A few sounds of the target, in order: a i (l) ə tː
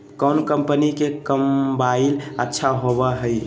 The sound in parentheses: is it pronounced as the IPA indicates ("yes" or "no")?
yes